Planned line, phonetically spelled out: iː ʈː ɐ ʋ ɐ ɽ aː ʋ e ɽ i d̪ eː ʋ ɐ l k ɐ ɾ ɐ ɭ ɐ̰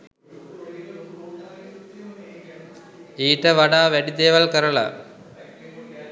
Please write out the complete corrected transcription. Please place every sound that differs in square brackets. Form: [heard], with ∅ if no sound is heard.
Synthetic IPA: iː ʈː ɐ ʋ ɐ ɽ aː ʋ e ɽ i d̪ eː ʋ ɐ l k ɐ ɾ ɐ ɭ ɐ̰